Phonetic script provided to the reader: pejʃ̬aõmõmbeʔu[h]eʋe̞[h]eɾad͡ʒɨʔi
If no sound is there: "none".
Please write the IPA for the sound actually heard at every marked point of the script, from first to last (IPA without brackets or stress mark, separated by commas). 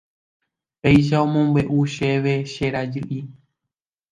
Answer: ʃ, ʃ